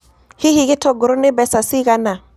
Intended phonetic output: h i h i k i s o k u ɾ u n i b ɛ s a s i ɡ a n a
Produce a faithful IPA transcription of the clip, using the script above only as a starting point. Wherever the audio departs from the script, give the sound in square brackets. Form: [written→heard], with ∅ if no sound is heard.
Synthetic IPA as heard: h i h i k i [s→t] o [k→ɡ] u ɾ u n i b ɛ s a s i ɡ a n a